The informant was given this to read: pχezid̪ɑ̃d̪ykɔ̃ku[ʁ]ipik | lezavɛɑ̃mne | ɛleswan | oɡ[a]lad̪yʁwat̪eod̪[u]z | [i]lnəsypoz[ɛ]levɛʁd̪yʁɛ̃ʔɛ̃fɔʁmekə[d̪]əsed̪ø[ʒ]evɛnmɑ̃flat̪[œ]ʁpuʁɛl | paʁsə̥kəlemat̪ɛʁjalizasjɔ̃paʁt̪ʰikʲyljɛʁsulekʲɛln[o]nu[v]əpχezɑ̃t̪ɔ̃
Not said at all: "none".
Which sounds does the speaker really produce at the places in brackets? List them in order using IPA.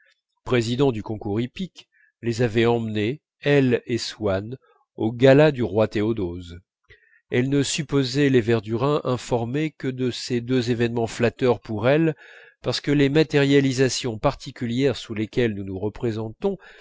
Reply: ʁ, a, o, ɛ, ɛ, d̪, z, œ, u, ʁ

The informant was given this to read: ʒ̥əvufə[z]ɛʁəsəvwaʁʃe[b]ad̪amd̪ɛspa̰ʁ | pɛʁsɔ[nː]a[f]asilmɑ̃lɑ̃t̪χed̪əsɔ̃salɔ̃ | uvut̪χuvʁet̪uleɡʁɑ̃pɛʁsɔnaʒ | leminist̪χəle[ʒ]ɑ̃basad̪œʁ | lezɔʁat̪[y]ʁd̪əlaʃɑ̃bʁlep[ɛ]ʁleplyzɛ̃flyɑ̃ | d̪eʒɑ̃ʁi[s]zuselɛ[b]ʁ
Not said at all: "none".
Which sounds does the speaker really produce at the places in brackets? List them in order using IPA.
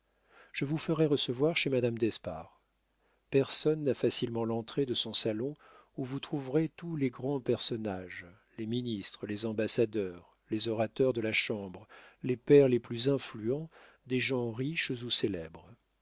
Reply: ʁ, m, nː, f, z, œ, ɛ, ʃ, b

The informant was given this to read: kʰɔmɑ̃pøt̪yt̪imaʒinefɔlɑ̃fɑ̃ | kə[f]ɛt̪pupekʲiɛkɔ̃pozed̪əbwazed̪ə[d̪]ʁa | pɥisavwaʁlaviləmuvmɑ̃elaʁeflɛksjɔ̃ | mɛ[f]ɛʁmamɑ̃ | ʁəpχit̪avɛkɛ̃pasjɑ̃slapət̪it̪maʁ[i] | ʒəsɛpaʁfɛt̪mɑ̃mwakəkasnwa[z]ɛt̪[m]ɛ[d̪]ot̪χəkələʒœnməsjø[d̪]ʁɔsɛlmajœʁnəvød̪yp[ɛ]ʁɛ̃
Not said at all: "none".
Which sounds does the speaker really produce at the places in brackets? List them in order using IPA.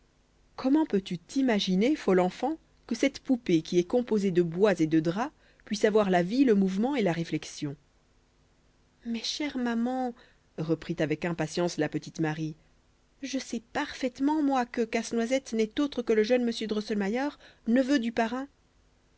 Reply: s, d̪, ʃ, i, z, n, t̪, d̪, a

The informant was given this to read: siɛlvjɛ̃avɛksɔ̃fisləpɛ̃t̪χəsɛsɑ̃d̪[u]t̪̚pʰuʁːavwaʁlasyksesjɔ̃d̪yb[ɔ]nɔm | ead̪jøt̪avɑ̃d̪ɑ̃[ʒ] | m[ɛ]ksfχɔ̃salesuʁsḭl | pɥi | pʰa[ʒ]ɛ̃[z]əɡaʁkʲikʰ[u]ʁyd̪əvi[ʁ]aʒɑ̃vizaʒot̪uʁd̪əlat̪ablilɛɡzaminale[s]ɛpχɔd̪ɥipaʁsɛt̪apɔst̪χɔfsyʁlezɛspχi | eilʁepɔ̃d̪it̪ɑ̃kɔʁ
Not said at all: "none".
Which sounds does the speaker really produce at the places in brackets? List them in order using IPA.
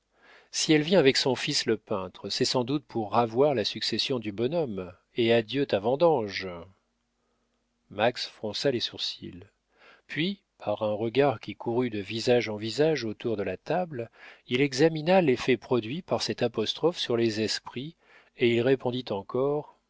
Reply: u, ɔ, ʒ, a, ʁ, ʁ, u, z, f

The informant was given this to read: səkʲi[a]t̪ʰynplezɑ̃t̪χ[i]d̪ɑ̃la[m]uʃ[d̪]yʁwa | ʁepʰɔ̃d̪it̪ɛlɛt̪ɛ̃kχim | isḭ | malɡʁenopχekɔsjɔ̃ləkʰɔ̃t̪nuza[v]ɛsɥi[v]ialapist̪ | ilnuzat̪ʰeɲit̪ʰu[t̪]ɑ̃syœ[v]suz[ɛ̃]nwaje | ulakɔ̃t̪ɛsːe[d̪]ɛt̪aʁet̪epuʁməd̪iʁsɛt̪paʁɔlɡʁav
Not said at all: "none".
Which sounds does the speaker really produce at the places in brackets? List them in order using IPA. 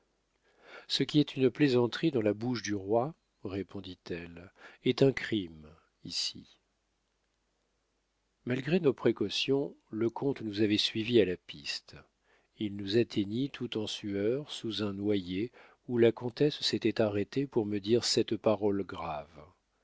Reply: ɛ, i, b, d̪, v, v, t̪, ʁ, ɛ̃, t̪

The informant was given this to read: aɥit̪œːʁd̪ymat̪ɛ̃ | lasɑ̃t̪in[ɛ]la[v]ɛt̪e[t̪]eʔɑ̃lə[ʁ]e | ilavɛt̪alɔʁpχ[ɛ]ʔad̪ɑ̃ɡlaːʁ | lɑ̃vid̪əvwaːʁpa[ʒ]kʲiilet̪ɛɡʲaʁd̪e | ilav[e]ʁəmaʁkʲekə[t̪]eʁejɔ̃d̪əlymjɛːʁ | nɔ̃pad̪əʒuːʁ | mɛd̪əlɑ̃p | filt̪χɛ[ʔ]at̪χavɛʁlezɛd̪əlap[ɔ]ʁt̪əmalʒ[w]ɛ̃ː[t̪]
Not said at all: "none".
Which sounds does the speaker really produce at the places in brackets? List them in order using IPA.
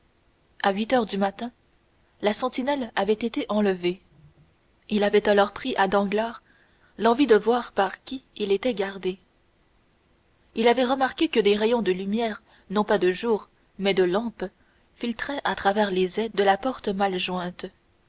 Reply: ɛ, v, t̪, v, i, ʁ, ɛ, d̪, ʔ, ɔ, w, t̪

